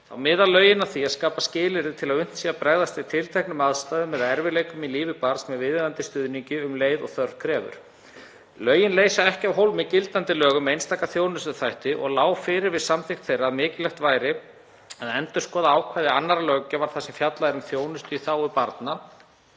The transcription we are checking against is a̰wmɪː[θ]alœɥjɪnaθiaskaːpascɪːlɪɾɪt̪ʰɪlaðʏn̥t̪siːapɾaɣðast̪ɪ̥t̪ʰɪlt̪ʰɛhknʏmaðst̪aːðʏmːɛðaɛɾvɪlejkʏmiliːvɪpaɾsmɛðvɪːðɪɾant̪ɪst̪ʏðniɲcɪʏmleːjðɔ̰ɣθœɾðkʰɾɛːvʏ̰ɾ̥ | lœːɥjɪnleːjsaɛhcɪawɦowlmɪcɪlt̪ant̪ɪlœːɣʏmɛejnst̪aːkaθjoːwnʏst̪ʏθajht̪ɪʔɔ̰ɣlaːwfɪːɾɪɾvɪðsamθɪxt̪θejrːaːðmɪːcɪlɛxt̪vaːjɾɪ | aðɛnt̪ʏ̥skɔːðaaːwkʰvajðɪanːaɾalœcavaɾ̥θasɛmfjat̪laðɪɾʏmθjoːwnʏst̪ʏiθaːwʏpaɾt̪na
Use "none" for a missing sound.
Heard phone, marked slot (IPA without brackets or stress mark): ð